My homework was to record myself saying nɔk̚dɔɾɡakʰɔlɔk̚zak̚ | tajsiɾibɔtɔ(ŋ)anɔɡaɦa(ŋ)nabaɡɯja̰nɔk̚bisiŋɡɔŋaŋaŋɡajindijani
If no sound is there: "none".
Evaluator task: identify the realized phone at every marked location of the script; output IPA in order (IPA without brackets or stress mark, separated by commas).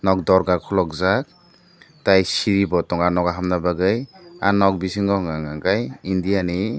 ŋ, m